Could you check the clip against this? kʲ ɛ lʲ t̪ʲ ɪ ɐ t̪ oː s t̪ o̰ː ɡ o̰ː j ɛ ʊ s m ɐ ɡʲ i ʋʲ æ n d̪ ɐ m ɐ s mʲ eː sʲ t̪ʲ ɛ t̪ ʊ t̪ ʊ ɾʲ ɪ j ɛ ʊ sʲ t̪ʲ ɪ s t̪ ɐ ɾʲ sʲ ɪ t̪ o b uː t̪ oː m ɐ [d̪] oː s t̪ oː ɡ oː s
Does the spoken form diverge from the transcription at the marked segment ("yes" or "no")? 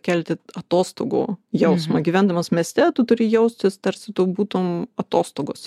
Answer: yes